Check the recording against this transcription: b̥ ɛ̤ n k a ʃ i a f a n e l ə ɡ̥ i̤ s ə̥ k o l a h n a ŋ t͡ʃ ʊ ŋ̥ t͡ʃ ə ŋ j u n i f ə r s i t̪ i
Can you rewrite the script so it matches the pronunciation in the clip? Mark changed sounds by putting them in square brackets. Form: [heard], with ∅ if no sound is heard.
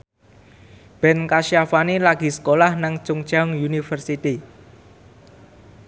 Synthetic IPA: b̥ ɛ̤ n k a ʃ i a f a n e l [a] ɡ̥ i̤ s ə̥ k o l a h n a ŋ t͡ʃ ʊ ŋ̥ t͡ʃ [a] ŋ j u n i f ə r s i t̪ i

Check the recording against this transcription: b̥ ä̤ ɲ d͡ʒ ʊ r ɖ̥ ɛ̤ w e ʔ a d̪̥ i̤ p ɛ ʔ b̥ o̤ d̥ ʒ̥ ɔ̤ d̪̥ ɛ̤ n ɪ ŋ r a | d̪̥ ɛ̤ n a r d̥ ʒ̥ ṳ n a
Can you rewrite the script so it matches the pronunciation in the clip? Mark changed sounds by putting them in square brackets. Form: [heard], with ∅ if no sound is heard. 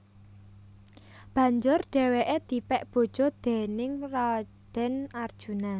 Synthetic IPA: b̥ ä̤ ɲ d͡ʒ ʊ r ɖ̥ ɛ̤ w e ʔ [e] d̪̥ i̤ p ɛ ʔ b̥ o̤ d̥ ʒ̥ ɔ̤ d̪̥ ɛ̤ n ɪ ŋ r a | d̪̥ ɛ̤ n a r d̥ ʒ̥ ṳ n a

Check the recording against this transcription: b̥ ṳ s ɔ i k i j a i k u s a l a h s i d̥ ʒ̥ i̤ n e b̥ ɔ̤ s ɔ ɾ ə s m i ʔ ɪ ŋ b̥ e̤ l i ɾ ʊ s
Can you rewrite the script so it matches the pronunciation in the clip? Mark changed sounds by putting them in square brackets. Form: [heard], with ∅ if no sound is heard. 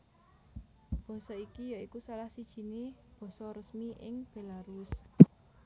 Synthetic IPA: b̥ [ɔ̤] s ɔ i k i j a i k u s a l a h s i d̥ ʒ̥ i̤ n e b̥ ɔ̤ s ɔ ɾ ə s m i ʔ ɪ ŋ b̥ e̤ l [a] ɾ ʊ s

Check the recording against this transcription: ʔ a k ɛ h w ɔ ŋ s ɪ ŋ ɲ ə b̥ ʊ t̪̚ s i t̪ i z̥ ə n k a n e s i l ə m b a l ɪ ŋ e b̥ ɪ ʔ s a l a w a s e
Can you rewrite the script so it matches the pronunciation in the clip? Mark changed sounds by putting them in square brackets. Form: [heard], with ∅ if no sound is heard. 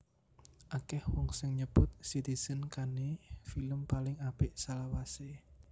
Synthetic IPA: ʔ a k ɛ h w ɔ ŋ s ɪ ŋ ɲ ə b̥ ʊ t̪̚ s i t̪ i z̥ ə n k a n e [f] i l ə m [p] a l ɪ ŋ [a] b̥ ɪ ʔ s a l a w a s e

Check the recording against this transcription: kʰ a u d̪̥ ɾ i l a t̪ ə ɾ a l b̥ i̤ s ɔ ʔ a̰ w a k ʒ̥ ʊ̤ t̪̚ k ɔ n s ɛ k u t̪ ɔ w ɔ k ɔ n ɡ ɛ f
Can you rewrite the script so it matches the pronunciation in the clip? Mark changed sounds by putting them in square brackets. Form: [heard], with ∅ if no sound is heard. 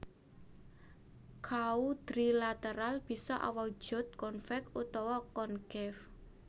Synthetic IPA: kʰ a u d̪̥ ɾ i l a t̪ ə ɾ a l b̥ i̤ s ɔ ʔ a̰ w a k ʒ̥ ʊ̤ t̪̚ k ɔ n [f] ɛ k u t̪ ɔ w ɔ k ɔ n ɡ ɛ f

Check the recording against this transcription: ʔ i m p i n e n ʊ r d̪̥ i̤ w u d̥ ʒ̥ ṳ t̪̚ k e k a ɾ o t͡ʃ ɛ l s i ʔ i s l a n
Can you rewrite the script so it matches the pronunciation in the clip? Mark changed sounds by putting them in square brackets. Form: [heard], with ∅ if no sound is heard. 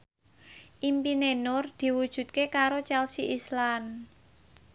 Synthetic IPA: ʔ i m p i n e n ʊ r d̪̥ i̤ w u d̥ ʒ̥ ṳ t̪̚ k e k a ɾ o t͡ʃ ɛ l s i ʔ i s l a n

